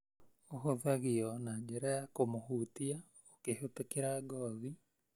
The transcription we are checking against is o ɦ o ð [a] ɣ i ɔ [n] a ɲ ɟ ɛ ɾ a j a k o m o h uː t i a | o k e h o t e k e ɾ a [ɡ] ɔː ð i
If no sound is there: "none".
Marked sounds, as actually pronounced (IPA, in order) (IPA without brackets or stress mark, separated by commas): a, n, ɡ